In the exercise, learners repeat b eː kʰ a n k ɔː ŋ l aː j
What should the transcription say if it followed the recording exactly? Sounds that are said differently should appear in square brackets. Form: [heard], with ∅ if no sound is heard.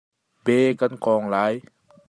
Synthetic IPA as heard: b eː [k] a n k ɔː ŋ l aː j